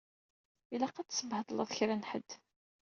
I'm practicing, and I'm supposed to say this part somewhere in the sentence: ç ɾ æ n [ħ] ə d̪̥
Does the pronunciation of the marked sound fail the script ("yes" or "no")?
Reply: no